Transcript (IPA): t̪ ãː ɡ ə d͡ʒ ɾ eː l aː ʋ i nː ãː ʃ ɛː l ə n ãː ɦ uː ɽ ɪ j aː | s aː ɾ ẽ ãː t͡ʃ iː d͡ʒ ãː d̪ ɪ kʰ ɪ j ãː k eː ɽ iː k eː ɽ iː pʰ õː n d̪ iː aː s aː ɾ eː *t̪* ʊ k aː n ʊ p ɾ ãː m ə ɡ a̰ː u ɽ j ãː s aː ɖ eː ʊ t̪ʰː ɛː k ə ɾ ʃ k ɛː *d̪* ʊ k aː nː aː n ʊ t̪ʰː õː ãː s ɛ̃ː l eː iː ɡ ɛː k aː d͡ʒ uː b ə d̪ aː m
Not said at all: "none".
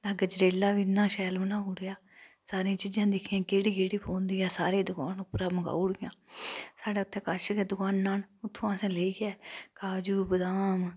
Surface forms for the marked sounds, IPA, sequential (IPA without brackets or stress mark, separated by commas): d̪, d̪